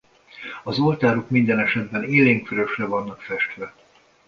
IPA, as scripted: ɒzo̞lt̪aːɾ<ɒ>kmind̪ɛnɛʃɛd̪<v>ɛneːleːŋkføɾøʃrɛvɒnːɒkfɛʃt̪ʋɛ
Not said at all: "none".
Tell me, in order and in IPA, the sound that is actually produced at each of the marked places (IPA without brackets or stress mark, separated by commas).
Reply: o, b